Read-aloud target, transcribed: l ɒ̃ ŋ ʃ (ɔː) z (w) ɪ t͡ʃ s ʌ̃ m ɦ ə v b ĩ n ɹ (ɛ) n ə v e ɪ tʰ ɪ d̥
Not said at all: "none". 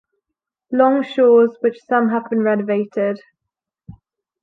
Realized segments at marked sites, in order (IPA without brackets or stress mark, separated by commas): ɔː, w, ɛ